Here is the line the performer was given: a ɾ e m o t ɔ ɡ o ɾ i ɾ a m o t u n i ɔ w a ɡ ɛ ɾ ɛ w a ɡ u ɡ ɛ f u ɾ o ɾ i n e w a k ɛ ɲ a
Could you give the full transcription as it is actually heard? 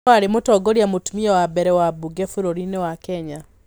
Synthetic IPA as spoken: a ɾ e m o t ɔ ɡ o ɾ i a m o t u m i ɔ w a b ɛ ɾ ɛ w a b u ɡ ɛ f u ɾ o ɾ i n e w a k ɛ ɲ a